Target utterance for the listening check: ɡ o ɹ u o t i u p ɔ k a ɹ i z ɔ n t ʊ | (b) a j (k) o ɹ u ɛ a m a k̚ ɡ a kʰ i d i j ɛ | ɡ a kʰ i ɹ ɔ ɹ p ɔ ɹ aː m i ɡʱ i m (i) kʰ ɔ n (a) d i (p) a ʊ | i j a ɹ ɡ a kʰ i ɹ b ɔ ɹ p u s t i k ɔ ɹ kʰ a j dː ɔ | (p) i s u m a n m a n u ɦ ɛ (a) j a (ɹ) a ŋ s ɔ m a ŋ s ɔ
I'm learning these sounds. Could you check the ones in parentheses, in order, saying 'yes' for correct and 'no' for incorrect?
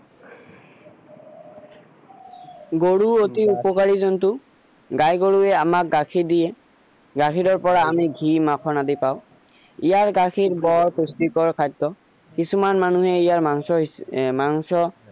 no, no, no, yes, yes, no, no, yes

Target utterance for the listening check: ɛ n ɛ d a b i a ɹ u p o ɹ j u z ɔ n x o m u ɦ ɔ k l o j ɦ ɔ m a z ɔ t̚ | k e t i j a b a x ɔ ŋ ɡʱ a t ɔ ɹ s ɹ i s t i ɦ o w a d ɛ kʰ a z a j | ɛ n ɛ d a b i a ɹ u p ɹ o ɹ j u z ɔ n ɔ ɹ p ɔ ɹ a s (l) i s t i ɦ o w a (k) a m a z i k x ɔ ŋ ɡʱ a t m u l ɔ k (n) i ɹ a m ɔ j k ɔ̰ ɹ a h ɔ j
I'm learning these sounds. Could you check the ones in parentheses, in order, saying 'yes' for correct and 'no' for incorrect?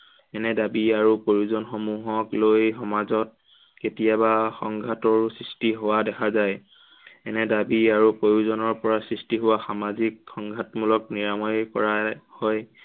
no, no, yes

